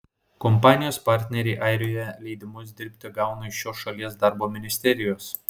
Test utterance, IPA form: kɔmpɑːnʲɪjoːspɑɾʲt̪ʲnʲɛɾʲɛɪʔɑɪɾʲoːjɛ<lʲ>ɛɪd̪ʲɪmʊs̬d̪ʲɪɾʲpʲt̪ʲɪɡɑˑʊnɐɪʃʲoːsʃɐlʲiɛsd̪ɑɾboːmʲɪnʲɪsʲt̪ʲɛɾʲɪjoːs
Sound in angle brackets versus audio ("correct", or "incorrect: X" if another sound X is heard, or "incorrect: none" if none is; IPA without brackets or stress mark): correct